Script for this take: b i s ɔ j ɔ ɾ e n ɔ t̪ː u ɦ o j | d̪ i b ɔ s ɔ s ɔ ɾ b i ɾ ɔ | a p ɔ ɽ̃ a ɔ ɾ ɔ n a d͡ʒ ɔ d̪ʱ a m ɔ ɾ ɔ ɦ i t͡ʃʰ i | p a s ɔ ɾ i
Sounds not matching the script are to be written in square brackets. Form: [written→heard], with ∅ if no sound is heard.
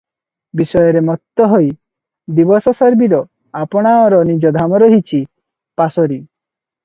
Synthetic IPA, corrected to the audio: b i s ɔ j ɔ ɾ e [n→m] ɔ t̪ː [u→ɔ] ɦ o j | d̪ i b ɔ s ɔ s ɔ ɾ b i ɾ ɔ | a p ɔ ɽ̃ a ɔ ɾ ɔ n [a→i] d͡ʒ ɔ d̪ʱ a m ɔ ɾ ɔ ɦ i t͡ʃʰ i | p a s ɔ ɾ i